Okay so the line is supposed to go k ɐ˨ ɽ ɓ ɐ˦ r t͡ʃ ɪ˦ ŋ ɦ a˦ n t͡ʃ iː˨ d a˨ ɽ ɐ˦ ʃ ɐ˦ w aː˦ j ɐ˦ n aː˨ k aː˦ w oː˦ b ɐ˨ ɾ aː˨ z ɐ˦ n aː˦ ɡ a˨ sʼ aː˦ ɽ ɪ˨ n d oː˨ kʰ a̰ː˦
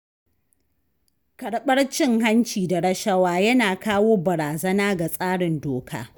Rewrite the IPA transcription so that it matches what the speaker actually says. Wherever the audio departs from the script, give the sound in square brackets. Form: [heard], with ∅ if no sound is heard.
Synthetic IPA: k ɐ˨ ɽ ɓ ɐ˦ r t͡ʃ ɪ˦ ŋ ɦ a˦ n t͡ʃ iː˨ d a˨ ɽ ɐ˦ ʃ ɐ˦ w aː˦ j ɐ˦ n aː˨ k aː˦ w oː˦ b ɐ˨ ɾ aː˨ z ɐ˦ n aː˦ ɡ a˨ sʼ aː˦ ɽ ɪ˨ n d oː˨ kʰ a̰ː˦